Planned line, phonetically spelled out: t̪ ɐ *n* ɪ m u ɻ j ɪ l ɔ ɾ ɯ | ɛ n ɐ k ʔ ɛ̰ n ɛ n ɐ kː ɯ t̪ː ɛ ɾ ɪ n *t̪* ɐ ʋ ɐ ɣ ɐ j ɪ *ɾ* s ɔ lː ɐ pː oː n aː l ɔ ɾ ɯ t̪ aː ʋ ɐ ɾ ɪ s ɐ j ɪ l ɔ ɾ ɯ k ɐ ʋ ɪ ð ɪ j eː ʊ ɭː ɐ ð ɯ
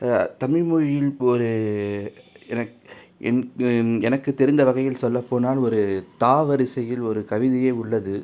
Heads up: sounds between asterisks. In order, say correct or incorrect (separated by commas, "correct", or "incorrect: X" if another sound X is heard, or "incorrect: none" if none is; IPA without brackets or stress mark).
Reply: incorrect: m, incorrect: d̪, incorrect: l